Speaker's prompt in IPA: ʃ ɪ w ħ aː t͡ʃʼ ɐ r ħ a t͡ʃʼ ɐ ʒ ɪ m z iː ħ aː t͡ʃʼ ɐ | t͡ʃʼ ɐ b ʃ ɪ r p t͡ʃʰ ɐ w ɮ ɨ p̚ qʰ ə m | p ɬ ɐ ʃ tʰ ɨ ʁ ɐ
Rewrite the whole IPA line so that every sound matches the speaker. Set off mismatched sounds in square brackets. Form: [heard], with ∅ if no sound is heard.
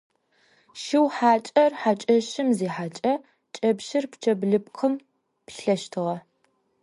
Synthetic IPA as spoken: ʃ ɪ w ħ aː t͡ʃʼ ɐ r ħ a t͡ʃʼ ɐ [ʃ] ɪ m z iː ħ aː t͡ʃʼ ɐ | t͡ʃʼ ɐ b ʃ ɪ r p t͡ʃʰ ɐ [b] ɮ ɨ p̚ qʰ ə m | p ɬ ɐ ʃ tʰ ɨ ʁ ɐ